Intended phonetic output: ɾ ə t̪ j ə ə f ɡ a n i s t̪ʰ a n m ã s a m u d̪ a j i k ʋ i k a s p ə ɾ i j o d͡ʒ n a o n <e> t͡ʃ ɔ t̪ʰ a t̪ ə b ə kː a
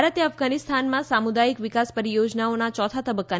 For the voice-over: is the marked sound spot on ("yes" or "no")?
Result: no